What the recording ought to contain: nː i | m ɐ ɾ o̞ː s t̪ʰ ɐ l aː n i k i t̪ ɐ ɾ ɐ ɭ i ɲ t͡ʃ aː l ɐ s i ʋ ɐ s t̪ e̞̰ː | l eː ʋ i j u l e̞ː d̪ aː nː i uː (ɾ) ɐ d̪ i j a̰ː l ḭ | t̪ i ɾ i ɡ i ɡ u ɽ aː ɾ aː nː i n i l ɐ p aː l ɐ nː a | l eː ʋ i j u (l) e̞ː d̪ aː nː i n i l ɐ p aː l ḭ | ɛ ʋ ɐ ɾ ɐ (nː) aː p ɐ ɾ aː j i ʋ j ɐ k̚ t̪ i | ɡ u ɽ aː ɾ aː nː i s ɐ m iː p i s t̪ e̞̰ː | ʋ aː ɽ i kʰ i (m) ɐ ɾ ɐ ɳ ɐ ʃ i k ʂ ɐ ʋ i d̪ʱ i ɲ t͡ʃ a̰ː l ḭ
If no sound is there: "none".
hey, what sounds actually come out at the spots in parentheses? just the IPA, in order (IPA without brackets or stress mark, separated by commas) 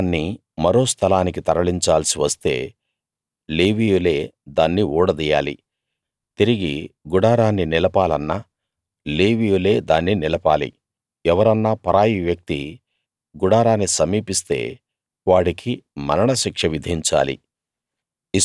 ɽ, l, nː, m